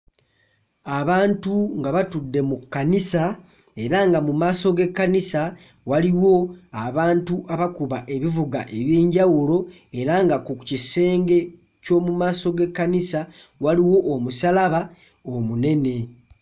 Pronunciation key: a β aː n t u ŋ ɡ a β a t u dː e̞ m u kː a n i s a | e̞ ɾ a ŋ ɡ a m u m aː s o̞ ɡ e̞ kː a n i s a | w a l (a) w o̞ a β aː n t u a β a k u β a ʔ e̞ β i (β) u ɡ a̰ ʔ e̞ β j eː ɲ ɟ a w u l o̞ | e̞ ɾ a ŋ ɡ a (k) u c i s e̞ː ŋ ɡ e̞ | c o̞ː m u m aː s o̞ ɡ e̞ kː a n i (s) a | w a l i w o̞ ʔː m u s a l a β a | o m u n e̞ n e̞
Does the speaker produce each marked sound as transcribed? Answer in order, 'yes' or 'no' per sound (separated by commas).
no, no, yes, yes